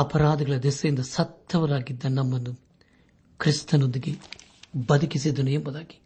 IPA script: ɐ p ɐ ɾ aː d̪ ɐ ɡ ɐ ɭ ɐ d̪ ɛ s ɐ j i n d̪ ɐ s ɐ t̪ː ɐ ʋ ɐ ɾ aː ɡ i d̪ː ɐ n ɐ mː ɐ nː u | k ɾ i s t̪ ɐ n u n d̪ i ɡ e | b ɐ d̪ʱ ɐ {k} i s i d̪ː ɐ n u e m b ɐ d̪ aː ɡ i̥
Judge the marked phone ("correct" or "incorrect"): correct